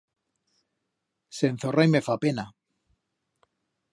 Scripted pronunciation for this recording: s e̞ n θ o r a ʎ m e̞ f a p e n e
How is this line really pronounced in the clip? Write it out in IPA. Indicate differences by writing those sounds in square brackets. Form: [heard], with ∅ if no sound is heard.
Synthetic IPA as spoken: s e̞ n θ o r a [j] m e̞ f a p e n [a]